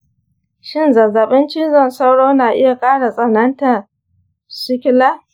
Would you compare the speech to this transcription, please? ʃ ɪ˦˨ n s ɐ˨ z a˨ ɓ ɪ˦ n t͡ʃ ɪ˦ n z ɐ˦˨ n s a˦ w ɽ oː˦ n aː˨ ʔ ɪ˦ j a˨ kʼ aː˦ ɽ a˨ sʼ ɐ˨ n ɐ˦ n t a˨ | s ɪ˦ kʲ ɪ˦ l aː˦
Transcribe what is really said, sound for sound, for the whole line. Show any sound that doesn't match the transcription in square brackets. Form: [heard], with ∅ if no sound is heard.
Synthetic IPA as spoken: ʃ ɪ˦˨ n [z] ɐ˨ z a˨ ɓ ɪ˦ n t͡ʃ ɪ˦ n z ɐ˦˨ n s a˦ w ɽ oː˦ n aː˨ ʔ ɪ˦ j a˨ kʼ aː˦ ɽ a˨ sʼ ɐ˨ n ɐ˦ n t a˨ | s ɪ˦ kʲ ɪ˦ l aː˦